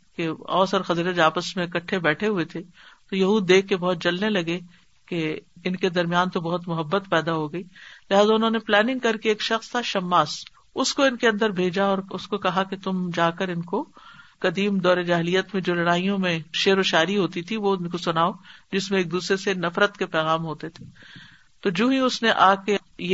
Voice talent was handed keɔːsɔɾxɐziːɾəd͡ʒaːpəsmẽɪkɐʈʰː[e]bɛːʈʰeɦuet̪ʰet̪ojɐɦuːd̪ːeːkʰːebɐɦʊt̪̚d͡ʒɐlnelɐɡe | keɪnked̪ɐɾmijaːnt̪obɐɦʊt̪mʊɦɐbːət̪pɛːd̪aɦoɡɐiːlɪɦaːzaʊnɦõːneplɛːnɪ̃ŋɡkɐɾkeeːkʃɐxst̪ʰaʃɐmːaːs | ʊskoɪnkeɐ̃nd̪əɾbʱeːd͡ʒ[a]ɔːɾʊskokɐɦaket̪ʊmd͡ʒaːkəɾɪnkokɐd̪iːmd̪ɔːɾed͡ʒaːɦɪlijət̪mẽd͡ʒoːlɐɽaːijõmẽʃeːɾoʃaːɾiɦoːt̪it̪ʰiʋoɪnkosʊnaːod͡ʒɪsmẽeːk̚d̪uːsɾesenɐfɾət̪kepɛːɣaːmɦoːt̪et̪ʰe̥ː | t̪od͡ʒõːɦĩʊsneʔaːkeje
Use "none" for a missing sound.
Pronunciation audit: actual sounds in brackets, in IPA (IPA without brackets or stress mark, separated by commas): e, a